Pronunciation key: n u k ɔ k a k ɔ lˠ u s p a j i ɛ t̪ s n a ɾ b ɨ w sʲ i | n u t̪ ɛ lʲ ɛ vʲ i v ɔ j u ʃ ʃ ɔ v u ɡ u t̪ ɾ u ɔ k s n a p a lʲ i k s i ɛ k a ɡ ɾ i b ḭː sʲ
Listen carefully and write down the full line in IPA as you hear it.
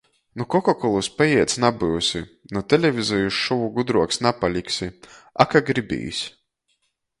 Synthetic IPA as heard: n u k ɔ k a k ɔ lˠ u s p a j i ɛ t̪ s n a b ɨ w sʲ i | n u t̪ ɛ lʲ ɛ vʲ i z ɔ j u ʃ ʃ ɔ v u ɡ u d̪ ɾ u ɔ k s n a p a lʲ i k s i a k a ɡ ɾ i b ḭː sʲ

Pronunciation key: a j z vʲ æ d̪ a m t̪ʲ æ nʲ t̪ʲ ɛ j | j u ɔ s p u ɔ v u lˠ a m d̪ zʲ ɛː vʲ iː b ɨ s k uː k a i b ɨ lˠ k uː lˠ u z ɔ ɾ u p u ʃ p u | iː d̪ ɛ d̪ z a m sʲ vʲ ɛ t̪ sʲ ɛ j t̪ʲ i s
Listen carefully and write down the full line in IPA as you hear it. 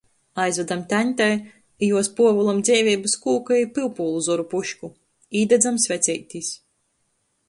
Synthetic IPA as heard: a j z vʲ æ d̪ a m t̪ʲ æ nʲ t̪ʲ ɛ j | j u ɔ s p u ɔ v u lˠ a m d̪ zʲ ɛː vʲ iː b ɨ s k uː k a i p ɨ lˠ p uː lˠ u z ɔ ɾ u p u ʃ k u | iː d̪ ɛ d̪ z a m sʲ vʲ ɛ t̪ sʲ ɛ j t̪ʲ i s

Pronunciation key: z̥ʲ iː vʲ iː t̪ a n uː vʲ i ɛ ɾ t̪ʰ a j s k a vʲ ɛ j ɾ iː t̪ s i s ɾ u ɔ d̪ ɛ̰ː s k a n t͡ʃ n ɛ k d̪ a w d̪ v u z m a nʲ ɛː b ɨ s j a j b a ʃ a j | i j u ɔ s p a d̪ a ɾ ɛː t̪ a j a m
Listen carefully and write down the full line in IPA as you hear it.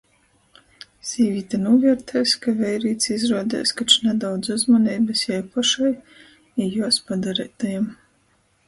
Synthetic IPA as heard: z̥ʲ iː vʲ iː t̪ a n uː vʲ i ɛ ɾ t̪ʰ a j s k a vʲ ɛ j ɾ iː t̪ s i z ɾ u ɔ d̪ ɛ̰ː s k a t͡ʃ n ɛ d̪ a w d̪ z u z m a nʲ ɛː b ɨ s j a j p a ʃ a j | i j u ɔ s p a d̪ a ɾ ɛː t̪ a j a m

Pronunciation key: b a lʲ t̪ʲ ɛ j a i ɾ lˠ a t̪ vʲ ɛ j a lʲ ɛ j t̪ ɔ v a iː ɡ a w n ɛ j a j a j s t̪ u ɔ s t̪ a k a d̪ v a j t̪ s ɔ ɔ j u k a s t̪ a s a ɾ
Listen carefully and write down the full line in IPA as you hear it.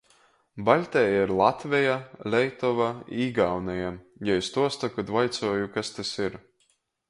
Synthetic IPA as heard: b a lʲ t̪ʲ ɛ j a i ɾ lˠ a t̪ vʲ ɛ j a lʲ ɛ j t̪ ɔ v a iː ɡ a w n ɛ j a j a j s t̪ u ɔ s t̪ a k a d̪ v a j t̪ s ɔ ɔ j u k a s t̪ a s i ɾ

